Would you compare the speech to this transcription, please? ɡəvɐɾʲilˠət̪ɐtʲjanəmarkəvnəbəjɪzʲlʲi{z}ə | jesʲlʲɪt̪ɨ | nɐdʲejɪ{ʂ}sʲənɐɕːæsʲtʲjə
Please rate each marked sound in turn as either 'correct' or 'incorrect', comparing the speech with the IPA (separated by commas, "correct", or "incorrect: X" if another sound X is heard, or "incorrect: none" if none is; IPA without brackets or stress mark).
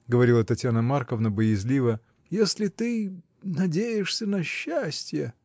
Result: incorrect: v, correct